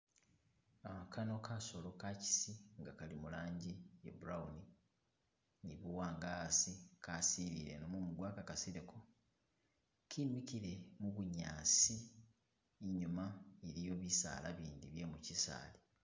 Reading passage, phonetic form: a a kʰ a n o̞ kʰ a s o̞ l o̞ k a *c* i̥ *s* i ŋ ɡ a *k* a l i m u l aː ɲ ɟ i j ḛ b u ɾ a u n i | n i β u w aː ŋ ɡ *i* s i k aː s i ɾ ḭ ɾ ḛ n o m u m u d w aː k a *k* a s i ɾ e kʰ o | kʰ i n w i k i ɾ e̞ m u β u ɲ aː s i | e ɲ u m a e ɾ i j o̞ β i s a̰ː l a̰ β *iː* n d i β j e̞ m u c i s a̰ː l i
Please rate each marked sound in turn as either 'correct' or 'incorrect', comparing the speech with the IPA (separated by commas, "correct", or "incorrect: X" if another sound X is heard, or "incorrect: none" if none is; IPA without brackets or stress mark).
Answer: correct, correct, correct, incorrect: a, correct, correct